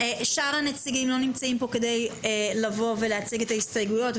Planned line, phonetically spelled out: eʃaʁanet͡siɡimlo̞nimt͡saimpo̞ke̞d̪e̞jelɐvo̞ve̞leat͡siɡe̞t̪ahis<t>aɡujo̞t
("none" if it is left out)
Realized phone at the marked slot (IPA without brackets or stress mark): t